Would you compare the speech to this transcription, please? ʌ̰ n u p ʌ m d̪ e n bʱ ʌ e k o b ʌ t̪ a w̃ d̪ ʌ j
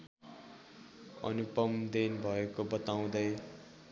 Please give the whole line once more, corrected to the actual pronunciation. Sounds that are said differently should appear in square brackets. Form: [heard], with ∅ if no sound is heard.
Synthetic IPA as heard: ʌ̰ n u p ʌ m d̪ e n bʱ ʌ e k o b ʌ t̪ a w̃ d̪ ʌ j